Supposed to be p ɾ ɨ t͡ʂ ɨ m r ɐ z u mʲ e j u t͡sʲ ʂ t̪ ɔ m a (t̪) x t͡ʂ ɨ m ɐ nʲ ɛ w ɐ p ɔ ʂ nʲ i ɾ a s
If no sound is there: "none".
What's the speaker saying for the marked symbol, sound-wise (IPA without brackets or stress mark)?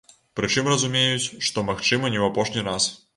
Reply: none